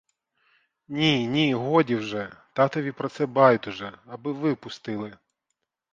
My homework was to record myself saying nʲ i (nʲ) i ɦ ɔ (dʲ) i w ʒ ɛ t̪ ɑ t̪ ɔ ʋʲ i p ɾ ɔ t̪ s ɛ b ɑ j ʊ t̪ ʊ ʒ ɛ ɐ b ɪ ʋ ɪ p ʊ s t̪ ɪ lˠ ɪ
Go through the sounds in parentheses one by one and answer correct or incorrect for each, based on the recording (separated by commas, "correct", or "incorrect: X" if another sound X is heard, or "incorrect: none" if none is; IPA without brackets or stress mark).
correct, correct